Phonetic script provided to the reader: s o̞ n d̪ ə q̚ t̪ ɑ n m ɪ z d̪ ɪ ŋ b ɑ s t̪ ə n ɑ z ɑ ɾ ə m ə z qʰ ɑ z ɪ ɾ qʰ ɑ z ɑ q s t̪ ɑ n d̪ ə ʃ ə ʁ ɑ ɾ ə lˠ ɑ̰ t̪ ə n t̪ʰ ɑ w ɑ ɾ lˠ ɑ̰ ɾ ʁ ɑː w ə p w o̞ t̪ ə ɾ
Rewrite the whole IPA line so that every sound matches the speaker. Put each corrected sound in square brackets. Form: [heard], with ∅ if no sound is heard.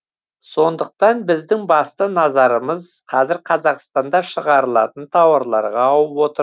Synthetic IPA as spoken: s o̞ n d̪ ə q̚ t̪ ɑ n [b] ɪ z d̪ ɪ ŋ b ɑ s t̪ ə n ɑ z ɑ ɾ ə m ə z qʰ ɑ z ɪ ɾ qʰ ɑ z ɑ q s t̪ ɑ n d̪ [ɑ] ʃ ə ʁ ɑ ɾ ə lˠ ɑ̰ t̪ ə n t̪ʰ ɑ w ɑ ɾ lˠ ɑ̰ ɾ ʁ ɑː w ə p w o̞ t̪ ə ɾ